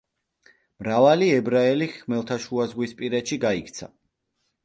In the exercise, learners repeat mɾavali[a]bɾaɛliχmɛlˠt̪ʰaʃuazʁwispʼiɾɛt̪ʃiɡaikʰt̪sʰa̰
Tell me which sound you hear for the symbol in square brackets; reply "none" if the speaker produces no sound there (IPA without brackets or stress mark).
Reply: ɛ